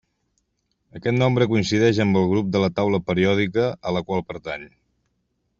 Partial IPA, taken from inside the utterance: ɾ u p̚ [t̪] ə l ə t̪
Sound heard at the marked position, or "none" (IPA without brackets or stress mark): d̪